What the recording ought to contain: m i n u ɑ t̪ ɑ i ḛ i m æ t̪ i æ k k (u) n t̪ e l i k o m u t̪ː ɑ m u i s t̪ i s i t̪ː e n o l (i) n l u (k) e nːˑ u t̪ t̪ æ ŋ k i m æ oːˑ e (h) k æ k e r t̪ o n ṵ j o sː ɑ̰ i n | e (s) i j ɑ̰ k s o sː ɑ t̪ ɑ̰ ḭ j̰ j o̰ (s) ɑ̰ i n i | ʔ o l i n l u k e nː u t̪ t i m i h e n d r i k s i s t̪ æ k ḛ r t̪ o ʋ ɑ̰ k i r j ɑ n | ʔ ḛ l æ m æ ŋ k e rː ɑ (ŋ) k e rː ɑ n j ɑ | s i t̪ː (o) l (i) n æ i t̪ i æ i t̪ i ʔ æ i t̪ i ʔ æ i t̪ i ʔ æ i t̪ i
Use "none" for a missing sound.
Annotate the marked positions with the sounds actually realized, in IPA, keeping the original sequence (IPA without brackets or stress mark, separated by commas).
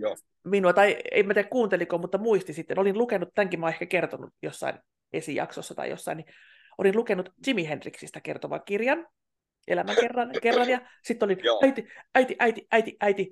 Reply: uː, i, k, h, s, sː, n, o, i